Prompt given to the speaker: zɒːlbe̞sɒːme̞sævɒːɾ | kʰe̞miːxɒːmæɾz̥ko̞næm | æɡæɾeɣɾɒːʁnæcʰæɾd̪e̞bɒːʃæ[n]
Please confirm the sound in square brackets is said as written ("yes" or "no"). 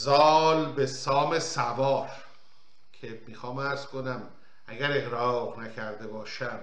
no